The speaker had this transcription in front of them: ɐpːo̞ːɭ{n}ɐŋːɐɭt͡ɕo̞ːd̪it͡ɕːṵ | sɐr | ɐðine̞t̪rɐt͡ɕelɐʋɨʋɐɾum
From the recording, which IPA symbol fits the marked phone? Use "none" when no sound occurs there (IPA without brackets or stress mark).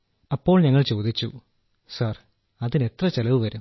ɲ